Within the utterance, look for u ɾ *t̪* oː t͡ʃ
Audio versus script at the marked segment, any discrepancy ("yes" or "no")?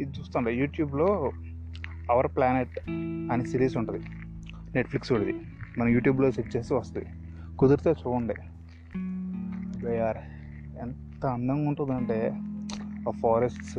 no